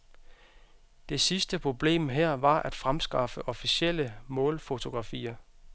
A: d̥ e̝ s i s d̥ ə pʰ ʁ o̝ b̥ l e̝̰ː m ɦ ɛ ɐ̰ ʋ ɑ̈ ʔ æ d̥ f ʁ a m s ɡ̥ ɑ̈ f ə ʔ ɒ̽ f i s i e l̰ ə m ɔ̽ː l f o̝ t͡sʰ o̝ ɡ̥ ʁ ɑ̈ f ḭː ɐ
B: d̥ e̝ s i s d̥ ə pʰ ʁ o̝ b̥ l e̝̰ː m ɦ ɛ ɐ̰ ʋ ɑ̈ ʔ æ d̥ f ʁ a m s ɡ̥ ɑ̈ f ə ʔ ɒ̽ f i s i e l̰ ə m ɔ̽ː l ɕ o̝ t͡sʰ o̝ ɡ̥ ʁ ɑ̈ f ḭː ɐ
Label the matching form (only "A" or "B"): A